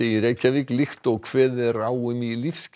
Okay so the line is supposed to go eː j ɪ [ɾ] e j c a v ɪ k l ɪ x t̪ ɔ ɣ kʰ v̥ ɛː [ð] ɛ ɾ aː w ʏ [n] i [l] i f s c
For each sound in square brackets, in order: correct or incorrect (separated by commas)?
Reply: correct, correct, incorrect, correct